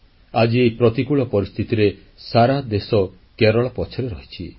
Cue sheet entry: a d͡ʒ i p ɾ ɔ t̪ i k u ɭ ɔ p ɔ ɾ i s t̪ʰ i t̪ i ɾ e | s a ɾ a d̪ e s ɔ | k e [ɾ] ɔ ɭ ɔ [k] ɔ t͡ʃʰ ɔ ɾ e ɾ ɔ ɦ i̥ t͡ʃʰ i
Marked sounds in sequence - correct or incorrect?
correct, incorrect

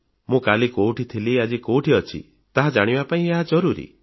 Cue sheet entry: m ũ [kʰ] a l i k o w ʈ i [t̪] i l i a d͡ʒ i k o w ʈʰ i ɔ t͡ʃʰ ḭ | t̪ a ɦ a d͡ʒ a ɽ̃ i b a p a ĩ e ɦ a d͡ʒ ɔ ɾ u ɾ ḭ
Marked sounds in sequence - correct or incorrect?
incorrect, incorrect

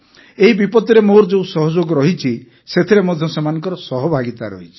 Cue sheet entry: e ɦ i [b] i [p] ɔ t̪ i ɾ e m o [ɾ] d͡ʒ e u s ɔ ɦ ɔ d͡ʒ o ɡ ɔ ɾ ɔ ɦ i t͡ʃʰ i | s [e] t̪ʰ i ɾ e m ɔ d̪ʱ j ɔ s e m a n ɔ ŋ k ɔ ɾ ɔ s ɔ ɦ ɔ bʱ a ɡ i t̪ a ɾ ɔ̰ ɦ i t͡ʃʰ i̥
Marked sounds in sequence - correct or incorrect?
correct, correct, correct, correct

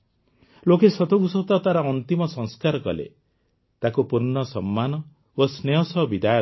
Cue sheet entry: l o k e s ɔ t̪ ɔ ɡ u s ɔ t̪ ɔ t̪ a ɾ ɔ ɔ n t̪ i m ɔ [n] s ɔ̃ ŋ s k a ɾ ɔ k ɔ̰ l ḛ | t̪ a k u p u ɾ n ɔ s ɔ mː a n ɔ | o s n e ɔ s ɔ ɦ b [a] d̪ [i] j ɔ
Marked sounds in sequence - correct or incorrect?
incorrect, incorrect, incorrect

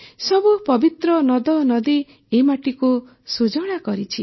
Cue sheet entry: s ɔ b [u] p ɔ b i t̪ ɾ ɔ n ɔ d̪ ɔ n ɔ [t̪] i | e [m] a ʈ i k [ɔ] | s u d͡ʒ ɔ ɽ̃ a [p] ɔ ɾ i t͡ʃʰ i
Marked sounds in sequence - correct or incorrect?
correct, incorrect, correct, incorrect, incorrect

